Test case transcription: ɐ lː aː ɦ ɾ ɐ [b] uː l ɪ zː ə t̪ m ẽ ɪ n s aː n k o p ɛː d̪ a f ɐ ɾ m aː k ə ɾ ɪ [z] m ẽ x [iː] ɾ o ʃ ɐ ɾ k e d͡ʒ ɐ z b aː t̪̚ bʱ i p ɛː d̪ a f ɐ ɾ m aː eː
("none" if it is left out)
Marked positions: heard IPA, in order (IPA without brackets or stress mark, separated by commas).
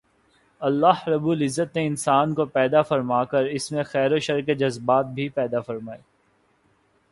b, s, ɛː